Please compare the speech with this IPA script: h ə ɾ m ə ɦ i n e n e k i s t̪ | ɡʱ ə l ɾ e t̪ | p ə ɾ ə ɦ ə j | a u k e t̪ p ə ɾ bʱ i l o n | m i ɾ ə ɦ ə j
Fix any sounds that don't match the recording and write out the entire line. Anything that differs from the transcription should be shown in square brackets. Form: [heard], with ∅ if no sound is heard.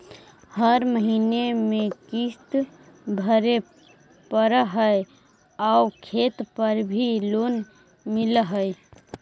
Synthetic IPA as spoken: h ə ɾ m ə ɦ i n e [m] e k i s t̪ | [bʱ] ə [∅] ɾ e [∅] | p ə ɾ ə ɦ ə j | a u [kʰ] e t̪ p ə ɾ bʱ i l o n | m i [l] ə ɦ ə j